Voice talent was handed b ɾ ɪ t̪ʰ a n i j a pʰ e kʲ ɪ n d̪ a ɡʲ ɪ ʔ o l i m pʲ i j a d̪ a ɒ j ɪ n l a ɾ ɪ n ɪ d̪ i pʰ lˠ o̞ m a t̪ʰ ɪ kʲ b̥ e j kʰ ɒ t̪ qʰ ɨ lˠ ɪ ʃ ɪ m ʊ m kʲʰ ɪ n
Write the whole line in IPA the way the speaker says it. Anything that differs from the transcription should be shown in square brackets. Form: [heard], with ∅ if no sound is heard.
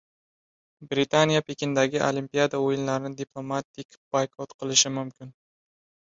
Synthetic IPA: b ɾ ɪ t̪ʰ a n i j a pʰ e kʲ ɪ n d̪ a ɡʲ ɪ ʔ o l i m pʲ i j a d̪ a [o] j ɪ n l a ɾ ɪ n ɪ d̪ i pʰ lˠ o̞ m a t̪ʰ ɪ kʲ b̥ [a] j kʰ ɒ t̪ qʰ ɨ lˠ ɪ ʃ ɪ m ʊ m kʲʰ ɪ n